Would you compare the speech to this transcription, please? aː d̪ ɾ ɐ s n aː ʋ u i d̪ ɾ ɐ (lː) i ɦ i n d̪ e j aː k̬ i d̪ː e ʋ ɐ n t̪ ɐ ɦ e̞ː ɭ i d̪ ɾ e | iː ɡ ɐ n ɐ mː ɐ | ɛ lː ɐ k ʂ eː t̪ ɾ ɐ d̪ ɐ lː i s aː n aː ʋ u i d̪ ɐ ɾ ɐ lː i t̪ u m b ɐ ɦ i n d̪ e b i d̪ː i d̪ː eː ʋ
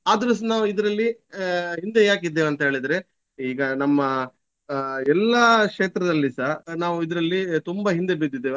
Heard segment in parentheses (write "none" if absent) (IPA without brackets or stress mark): lː